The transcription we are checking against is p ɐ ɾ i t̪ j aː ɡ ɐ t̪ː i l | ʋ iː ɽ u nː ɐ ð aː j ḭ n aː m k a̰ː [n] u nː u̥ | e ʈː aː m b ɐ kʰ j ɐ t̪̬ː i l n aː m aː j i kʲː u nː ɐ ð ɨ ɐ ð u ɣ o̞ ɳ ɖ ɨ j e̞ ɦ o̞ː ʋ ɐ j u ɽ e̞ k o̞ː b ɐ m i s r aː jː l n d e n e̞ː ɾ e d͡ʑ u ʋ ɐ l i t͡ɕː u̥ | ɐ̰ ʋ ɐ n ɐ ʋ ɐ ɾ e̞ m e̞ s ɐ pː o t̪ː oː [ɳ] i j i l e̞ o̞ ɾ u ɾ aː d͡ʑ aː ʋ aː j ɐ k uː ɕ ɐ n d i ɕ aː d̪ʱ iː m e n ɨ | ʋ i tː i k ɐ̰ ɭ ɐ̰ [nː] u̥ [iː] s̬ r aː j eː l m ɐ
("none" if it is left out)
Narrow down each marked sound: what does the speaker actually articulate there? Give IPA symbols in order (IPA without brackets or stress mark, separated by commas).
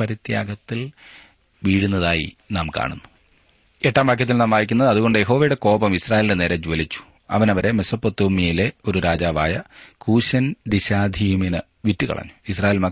ɳ, m, ɲː, i